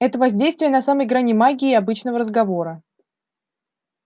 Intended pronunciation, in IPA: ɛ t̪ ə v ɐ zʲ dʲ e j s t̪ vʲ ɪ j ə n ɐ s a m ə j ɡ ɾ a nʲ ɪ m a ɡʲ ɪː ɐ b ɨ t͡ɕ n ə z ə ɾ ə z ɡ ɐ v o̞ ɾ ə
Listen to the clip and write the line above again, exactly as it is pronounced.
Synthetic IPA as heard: ɛ t̪ ə v ɐ zʲ dʲ e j s t̪ vʲ ɪ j ə n ɐ s a m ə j ɡ ɾ a nʲ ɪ m a ɡʲ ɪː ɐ b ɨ t͡ɕ n ə v ə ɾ ə z ɡ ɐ v o̞ ɾ ə

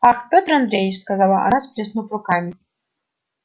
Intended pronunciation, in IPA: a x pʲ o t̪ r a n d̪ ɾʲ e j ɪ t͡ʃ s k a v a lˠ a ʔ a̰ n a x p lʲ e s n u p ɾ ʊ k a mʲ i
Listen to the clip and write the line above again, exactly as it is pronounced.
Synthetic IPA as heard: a x pʲ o t̪ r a n d̪ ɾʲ e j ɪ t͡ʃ s k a z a lˠ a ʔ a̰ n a s p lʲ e s n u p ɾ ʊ k a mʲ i

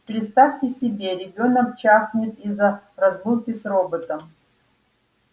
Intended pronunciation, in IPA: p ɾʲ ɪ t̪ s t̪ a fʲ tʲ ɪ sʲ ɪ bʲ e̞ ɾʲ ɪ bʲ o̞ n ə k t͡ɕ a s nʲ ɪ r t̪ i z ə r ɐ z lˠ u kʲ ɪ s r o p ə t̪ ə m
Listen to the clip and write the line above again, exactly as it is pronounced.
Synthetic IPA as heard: p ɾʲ ɪ t̪ s t̪ a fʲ tʲ ɪ sʲ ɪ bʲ e̞ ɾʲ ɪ bʲ o̞ n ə k t͡ɕ a x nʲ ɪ t̪ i z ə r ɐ z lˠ u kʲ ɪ s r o b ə t̪ ə m

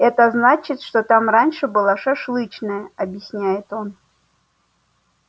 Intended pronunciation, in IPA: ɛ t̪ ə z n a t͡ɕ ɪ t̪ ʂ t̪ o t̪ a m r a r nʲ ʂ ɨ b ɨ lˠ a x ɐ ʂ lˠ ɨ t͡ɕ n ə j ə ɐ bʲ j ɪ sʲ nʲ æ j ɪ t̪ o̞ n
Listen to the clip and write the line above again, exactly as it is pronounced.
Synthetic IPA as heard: ɛ t̪ ə z n a t͡ɕ ɪ t̪ ʂ t̪ o t̪ a m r a nʲ ʂ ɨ b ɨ lˠ a ʂ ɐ ʂ lˠ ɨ t͡ɕ n ə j ə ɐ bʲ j ɪ sʲ nʲ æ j ɪ t̪ o̞ n

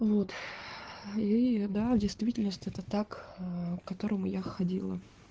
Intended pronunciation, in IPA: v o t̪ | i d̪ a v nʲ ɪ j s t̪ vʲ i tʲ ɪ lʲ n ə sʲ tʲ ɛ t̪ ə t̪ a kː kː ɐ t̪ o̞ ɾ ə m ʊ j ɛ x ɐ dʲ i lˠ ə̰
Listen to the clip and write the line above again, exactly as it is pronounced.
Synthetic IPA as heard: v o t̪ | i d̪ a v dʲ ɪ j s t̪ vʲ i tʲ ɪ lʲ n ə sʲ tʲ ɛ t̪ ə t̪ a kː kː ɐ t̪ o̞ ɾ ə m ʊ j a x ɐ dʲ i lˠ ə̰

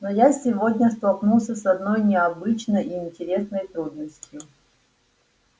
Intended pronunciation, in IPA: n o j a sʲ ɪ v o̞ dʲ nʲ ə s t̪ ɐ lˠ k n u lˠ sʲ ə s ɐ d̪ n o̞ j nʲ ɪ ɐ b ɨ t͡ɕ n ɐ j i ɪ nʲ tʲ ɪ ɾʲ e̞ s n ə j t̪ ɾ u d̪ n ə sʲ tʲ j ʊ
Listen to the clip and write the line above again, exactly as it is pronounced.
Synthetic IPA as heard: n o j a sʲ ɪ v o̞ dʲ nʲ ə s t̪ ɐ lˠ k n u lˠ sʲ ə s ɐ d̪ n o̞ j nʲ ɪ ɐ b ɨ t͡ɕ n ə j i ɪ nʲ tʲ ɪ ɾʲ e̞ s n ə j t̪ ɾ u d̪ n ə sʲ tʲ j ʊ

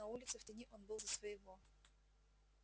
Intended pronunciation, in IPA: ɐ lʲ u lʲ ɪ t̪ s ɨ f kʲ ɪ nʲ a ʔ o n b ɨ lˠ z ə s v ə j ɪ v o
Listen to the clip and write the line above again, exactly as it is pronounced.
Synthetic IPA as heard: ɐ u lʲ ɪ t̪ s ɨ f tʲ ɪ nʲ i ʔ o n b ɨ lˠ z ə s v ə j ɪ v o

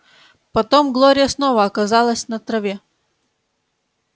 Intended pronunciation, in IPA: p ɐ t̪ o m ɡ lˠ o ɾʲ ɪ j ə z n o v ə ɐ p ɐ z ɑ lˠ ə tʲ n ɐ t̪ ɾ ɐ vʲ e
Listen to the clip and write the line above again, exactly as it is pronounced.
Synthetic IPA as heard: p ɐ t̪ o m ɡ lˠ o ɾʲ ɪ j ə s n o v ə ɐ k ɐ z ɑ lˠ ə sʲ n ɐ t̪ ɾ ɐ vʲ e

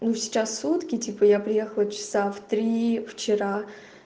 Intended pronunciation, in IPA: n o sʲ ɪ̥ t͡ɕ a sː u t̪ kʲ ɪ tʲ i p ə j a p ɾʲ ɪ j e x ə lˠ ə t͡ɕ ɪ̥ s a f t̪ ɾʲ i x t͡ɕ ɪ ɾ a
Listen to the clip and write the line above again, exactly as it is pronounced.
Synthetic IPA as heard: n u sʲ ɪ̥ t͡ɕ a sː u t̪ kʲ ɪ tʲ i p ə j a p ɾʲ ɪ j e x ə lˠ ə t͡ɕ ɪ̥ s a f t̪ ɾʲ i f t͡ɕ ɪ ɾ a

